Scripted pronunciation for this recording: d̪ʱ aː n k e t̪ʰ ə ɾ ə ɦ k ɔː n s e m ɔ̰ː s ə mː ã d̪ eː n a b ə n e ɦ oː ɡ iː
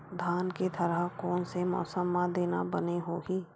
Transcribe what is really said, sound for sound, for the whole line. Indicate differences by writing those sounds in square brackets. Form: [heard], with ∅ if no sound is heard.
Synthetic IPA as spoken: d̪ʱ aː n k e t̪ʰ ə ɾ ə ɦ k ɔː n s e m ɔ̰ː s ə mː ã d̪ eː n a b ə n e ɦ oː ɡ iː